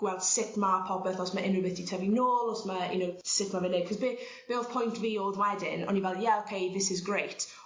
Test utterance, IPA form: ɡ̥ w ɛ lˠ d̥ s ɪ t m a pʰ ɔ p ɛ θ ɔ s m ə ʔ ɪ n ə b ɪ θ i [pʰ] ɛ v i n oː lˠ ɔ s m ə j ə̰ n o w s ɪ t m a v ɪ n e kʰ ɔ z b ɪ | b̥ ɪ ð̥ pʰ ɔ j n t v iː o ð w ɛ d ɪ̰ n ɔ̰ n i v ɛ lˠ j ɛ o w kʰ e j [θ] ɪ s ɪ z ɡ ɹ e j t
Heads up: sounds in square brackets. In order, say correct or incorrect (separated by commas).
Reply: incorrect, incorrect